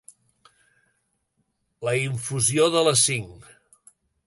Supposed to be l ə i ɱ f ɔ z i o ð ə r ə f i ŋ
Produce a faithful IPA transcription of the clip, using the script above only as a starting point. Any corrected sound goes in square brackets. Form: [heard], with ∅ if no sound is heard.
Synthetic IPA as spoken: l ə i ɱ f [u] z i o ð ə [l] ə [s] i ŋ